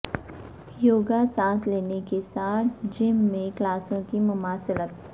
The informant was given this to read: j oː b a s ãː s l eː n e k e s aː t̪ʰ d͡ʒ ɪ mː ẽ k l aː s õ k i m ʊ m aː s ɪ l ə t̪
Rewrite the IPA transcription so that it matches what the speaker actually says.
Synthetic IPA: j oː ɡ a s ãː s l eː n e k e s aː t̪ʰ d͡ʒ ɪ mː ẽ k l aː s õ k i m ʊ m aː s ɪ l ə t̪